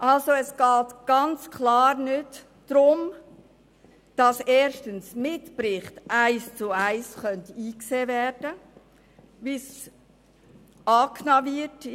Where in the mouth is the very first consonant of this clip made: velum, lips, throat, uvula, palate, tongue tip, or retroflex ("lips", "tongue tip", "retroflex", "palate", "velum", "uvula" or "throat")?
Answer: throat